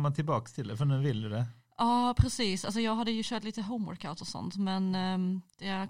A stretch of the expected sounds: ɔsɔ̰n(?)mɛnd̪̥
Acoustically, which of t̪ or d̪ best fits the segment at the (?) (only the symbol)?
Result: t̪